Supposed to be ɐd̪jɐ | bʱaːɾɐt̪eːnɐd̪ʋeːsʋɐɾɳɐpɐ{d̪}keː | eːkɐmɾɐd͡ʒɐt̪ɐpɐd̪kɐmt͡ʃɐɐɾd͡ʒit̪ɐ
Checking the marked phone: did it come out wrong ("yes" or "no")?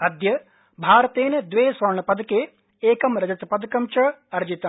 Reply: no